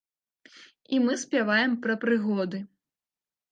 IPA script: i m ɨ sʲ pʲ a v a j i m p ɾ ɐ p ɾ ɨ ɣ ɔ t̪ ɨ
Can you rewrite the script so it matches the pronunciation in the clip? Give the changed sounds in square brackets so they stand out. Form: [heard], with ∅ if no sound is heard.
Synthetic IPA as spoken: i m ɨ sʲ pʲ a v a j [ɛ] m p ɾ ɐ p ɾ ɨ ɣ ɔ [d̪] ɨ